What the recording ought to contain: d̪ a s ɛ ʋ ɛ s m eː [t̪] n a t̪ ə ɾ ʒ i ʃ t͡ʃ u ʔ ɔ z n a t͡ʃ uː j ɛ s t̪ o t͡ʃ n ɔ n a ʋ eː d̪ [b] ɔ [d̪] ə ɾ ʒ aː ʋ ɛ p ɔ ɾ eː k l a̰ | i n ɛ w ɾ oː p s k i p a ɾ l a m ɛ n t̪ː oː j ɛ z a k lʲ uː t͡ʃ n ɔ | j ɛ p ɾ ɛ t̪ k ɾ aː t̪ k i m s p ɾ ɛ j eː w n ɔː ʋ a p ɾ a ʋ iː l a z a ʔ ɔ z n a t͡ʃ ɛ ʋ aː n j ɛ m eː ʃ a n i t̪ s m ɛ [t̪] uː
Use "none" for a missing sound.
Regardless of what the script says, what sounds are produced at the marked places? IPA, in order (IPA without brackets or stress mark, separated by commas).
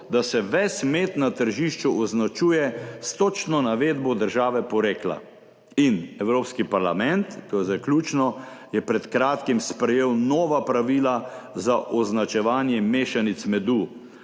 t̪, b, d̪, d̪